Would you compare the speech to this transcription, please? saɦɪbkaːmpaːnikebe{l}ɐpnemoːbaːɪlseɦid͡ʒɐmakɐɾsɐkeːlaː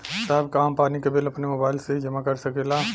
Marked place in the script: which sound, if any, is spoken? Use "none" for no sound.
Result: l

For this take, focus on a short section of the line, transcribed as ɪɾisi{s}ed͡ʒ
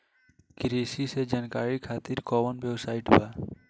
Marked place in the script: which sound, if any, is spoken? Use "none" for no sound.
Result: s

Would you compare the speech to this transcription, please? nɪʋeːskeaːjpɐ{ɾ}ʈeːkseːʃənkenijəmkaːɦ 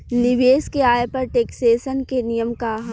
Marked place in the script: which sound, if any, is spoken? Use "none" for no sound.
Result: ɾ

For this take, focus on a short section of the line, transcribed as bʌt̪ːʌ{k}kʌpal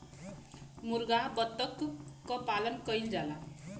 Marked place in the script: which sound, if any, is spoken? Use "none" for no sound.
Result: k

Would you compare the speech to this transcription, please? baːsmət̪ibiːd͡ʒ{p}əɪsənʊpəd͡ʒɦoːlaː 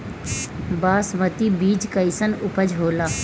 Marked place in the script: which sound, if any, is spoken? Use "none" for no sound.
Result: k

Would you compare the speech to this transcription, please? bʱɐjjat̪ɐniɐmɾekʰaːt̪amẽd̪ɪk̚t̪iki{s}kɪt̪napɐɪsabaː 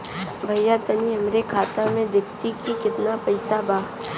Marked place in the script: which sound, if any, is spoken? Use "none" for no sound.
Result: none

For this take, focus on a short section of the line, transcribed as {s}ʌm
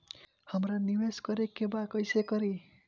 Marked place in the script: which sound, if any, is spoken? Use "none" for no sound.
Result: h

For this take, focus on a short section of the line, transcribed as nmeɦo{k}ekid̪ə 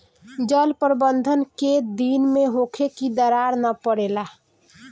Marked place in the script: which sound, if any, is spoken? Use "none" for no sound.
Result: kʰ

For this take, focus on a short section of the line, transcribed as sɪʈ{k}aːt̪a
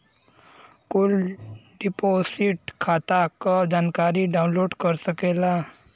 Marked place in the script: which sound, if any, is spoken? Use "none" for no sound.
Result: kʰ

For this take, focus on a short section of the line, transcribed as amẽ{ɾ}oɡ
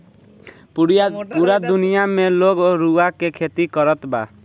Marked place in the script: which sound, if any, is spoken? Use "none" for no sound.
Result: l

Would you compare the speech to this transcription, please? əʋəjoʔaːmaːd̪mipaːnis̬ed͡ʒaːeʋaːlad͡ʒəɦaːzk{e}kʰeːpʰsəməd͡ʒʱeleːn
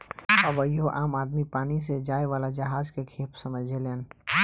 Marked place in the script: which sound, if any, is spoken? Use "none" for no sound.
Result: e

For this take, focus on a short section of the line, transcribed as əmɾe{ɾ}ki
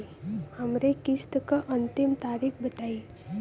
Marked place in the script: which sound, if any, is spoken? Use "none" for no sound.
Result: none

